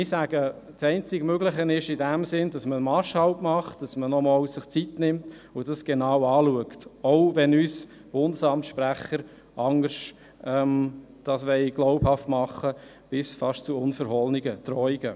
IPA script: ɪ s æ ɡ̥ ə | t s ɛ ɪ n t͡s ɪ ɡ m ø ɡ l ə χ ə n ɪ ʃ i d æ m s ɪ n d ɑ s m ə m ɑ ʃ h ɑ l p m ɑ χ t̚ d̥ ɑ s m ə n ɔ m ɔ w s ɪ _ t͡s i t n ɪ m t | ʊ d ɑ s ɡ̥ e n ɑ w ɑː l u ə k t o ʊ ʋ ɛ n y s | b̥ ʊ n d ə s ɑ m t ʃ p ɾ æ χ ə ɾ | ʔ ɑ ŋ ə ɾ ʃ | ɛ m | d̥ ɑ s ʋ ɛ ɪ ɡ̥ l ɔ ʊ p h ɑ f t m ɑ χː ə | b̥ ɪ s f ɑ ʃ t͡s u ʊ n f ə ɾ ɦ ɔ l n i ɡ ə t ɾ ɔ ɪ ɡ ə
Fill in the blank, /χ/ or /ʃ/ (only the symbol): χ